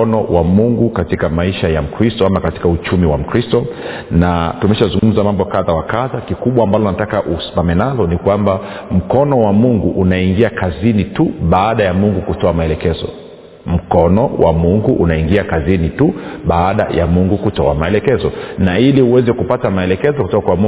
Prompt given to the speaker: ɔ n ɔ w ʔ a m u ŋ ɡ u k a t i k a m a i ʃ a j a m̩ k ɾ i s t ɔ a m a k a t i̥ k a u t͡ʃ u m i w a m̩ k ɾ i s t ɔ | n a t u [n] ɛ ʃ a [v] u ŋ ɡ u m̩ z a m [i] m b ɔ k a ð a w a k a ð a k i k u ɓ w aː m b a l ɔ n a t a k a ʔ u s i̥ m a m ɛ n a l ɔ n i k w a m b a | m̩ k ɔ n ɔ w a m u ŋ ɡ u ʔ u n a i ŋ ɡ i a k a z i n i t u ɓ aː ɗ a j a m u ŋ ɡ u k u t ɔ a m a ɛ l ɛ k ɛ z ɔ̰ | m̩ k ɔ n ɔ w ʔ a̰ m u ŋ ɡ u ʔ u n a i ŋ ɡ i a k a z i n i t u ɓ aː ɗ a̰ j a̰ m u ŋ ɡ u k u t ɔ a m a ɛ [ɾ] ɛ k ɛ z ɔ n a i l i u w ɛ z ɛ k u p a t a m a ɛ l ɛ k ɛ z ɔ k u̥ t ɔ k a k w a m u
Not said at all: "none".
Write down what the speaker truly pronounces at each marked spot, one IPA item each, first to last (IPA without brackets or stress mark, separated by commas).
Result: m, z, a, l